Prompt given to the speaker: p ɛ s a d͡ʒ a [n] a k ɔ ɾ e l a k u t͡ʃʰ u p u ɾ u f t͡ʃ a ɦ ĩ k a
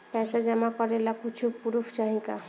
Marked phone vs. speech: incorrect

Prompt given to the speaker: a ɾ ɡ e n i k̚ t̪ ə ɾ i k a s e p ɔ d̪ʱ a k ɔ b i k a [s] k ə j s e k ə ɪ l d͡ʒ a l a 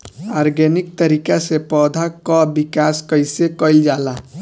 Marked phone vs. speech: correct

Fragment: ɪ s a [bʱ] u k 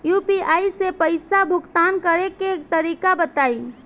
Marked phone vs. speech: correct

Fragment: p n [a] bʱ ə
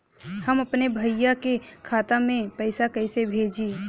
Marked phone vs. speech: incorrect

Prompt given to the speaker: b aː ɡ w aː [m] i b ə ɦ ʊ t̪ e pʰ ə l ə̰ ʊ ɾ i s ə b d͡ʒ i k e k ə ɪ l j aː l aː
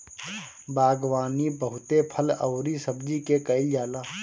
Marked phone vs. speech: incorrect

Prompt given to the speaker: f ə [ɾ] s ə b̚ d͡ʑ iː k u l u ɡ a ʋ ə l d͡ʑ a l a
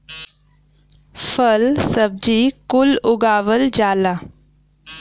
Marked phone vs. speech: incorrect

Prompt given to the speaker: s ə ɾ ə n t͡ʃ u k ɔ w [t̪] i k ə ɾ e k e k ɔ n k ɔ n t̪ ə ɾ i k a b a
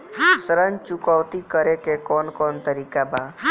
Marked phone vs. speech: correct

